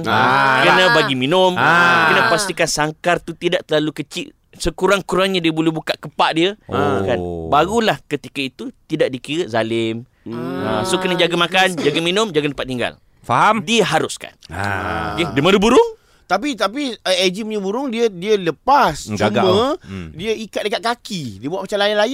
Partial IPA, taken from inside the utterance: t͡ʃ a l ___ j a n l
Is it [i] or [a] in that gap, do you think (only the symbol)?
a